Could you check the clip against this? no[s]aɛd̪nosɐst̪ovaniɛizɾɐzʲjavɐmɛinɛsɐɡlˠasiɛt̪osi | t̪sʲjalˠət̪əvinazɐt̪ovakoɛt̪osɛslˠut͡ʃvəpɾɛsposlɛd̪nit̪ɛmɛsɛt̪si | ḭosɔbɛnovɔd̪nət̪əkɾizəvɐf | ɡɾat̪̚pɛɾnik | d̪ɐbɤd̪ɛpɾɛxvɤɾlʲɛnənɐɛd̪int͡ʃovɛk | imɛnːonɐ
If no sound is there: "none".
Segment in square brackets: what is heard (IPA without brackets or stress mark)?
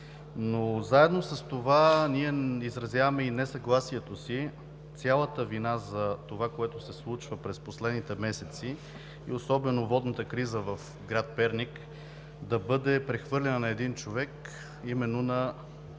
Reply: z